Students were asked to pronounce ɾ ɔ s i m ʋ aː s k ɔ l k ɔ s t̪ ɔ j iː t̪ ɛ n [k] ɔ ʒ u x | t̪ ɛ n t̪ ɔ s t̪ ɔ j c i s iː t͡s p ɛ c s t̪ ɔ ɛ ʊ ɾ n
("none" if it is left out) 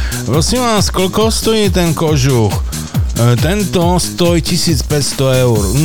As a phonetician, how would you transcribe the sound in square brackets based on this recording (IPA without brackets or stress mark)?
k